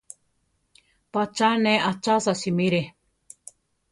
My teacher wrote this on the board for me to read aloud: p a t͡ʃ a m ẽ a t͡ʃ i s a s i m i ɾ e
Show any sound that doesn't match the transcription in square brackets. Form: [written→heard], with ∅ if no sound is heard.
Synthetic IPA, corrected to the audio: p a t͡ʃ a [m→n] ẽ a t͡ʃ [i→a] s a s i m i ɾ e